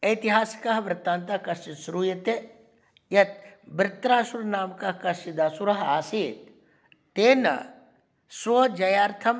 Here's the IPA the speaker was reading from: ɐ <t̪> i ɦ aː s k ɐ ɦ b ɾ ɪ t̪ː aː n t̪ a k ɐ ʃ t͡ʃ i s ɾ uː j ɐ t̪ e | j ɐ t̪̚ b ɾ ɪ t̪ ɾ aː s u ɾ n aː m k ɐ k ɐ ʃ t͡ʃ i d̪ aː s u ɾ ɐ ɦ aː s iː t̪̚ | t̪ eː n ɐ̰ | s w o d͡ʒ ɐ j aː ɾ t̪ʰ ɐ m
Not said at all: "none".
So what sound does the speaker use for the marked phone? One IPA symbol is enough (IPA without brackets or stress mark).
t̪